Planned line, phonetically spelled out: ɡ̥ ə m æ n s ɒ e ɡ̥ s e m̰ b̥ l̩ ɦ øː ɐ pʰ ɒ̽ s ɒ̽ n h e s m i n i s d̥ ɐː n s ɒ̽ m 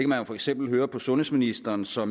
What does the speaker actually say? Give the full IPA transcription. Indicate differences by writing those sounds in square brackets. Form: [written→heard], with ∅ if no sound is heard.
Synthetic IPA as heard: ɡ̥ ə m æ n [s→f] ɒ e ɡ̥ s e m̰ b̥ l̩ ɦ øː ɐ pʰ ɒ̽ s [ɒ̽→ɔ̽] n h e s m i n i s d̥ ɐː n s ɒ̽ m

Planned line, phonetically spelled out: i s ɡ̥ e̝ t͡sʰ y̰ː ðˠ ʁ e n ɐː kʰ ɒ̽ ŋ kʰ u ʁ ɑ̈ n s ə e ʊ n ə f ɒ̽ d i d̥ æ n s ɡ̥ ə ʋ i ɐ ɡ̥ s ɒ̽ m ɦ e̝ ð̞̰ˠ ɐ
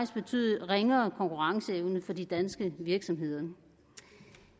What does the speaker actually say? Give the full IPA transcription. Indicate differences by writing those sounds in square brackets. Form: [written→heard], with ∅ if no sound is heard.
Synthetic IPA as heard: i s [ɡ̥→b̥] e̝ t͡sʰ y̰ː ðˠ ʁ e [n→ŋ] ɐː kʰ ɒ̽ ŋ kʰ u ʁ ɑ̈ [n→ŋ] s ə e ʊ n ə f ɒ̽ d i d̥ æ n s ɡ̥ ə ʋ i ɐ ɡ̥ s ɒ̽ m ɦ e̝ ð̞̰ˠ ɐ

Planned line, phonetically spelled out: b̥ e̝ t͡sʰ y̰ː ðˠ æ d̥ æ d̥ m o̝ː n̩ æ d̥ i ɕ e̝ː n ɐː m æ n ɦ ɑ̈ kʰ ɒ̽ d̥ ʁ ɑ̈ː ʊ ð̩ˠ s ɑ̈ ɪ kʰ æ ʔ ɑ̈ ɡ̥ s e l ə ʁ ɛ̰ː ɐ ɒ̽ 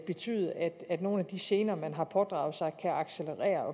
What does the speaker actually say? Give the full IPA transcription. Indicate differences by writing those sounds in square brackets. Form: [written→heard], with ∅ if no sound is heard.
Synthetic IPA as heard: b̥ e̝ t͡sʰ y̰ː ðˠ æ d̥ æ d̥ [m→n] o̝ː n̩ æ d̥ i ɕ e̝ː n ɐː m æ n ɦ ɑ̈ [kʰ→pʰ] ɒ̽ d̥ ʁ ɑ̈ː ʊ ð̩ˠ s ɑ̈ ɪ kʰ æ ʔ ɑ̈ ɡ̥ s e l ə ʁ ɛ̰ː ɐ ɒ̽

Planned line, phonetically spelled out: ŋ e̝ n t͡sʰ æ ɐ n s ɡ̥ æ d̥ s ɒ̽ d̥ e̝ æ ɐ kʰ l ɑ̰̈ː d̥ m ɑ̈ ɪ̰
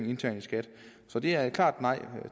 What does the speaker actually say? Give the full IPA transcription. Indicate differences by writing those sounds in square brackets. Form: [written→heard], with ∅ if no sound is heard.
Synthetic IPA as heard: ŋ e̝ n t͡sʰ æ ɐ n s ɡ̥ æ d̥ s ɒ̽ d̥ e̝ æ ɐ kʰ l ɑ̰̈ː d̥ [m→n] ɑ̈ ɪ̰

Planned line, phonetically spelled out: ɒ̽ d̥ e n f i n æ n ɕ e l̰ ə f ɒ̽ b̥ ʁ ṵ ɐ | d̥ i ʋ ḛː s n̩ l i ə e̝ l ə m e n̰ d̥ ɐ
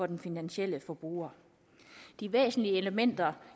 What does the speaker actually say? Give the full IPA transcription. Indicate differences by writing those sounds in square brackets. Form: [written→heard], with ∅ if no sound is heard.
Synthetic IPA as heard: ɒ̽ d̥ e n f i n æ n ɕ e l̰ ə f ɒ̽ b̥ ʁ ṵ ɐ | d̥ i ʋ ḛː s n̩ l i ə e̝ l ə m e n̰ d̥ ɐ

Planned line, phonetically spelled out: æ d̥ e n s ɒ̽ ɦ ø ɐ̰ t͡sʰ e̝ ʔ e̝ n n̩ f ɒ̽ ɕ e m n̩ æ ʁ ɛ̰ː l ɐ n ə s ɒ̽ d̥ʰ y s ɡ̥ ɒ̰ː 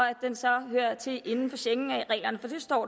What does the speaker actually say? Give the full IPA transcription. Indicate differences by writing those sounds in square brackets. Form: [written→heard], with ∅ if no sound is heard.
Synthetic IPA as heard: æ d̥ e n s ɒ̽ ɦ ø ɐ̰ t͡sʰ e̝ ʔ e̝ n n̩ f ɒ̽ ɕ e [m→ŋ] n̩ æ ʁ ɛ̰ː l ɐ n ə [s→f] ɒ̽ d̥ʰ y s [ɡ̥→d̥] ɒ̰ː

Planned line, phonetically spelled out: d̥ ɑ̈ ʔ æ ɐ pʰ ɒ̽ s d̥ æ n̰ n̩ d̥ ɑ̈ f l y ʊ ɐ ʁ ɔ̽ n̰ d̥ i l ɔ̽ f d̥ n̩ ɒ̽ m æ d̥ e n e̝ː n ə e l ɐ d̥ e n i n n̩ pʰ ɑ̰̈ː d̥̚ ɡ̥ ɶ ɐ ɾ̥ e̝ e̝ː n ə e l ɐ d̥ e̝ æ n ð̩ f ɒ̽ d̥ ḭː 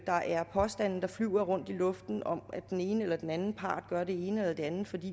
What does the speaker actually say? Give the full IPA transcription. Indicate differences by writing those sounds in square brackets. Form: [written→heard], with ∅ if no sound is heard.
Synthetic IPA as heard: d̥ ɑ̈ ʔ æ ɐ pʰ ɒ̽ s d̥ æ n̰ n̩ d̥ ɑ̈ f l y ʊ ɐ ʁ ɔ̽ n̰ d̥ i l ɔ̽ f d̥ n̩ ɒ̽ m æ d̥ e n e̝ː n ə e l ɐ d̥ e n [i→æ] n n̩ pʰ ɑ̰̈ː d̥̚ ɡ̥ ɶ ɐ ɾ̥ e̝ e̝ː n ə e l ɐ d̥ e̝ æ n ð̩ f ɒ̽ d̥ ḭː

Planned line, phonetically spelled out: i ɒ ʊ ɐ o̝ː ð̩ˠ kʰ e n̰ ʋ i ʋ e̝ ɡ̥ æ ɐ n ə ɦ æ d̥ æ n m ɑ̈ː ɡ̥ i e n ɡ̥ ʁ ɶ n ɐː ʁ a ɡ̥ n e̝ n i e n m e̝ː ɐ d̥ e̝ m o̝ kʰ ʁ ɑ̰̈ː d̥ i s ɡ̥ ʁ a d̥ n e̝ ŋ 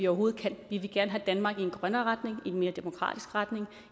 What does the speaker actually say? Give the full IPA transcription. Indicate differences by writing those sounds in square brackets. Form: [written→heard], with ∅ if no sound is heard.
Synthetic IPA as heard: i ɒ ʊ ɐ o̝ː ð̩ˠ kʰ [e→æ] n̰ ʋ i ʋ e̝ ɡ̥ æ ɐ n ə ɦ æ d̥ æ n m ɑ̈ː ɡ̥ i e n ɡ̥ ʁ ɶ n ɐː ʁ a [ɡ̥→d̥] n e̝ [n→ŋ] i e n m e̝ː ɐ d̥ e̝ m o̝ kʰ ʁ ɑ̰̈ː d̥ i s ɡ̥ ʁ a d̥ n e̝ ŋ

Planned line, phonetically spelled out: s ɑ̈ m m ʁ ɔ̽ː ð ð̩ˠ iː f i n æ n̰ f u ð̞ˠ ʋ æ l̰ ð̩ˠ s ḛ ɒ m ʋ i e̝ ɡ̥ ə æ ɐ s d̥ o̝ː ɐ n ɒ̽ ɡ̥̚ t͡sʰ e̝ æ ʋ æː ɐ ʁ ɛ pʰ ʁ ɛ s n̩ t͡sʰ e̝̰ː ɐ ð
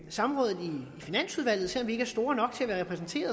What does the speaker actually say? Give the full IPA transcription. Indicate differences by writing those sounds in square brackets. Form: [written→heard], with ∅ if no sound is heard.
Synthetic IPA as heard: s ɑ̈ m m ʁ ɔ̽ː ð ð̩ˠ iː f i n æ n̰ [f→s] u ð̞ˠ ʋ æ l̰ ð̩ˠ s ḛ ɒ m ʋ i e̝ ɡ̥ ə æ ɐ s d̥ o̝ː ɐ n ɒ̽ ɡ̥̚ t͡sʰ e̝ æ ʋ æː ɐ ʁ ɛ pʰ ʁ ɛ s n̩ t͡sʰ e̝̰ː ɐ ð

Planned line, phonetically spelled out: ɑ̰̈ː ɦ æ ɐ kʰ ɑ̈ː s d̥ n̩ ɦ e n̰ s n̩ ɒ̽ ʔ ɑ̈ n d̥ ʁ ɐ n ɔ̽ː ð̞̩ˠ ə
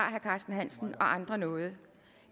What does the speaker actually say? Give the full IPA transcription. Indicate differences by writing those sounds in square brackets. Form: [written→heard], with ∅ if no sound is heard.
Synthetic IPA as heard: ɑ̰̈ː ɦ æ ɐ kʰ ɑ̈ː s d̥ n̩ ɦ [e→æ] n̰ s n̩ ɒ̽ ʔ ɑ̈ n d̥ ʁ ɐ n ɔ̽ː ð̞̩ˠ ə

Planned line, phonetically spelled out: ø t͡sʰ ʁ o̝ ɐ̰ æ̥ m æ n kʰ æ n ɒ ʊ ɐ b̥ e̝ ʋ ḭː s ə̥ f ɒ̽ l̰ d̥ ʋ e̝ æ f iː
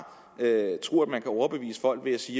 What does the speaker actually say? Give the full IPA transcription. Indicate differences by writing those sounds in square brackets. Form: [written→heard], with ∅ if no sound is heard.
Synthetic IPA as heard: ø t͡sʰ ʁ o̝ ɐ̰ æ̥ m æ n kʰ æ [n→∅] ɒ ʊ ɐ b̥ e̝ ʋ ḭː s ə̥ f ɒ̽ l̰ [d̥→ɡ̥] ʋ e̝ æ [f→s] iː

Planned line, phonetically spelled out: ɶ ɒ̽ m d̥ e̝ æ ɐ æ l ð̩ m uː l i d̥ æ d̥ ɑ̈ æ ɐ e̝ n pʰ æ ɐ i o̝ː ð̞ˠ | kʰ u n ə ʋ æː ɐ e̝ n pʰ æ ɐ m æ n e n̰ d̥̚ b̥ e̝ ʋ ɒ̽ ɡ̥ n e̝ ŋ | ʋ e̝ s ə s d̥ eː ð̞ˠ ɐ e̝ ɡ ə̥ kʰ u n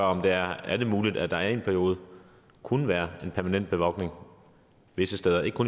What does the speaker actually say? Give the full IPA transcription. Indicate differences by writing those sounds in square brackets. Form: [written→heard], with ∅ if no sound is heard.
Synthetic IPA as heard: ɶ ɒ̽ m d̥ e̝ æ ɐ æ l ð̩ m uː l i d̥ æ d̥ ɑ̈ æ ɐ e̝ n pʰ æ ɐ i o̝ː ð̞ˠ | kʰ u n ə ʋ æː ɐ e̝ n pʰ æ ɐ m æ n e n̰ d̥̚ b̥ e̝ ʋ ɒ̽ ɡ̥ n e̝ ŋ | ʋ e̝ s ə s d̥ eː ð̞ˠ ɐ e̝ ɡ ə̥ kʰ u n

